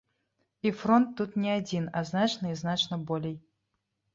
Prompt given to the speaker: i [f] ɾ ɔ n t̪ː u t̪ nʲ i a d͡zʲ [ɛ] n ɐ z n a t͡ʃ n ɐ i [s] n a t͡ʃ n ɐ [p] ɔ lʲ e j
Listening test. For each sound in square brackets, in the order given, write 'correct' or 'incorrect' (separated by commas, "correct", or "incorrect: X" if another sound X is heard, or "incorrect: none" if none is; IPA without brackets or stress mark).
correct, incorrect: i, incorrect: z, incorrect: b